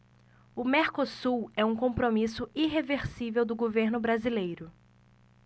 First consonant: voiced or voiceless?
voiced